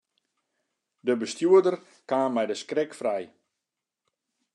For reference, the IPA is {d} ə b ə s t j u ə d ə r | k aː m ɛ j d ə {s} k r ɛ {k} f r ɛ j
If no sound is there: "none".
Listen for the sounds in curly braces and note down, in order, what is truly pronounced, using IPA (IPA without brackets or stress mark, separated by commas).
d, s, k